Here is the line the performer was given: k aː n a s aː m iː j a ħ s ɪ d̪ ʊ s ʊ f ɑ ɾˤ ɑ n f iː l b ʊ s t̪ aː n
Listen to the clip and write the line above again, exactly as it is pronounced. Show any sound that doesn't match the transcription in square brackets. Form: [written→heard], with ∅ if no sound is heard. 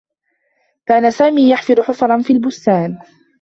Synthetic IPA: k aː n a s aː m iː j a ħ [s→f] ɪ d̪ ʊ [s→ħ] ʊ f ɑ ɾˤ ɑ n f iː l b ʊ s t̪ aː n